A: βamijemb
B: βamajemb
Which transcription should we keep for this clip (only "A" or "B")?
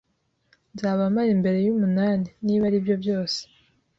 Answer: B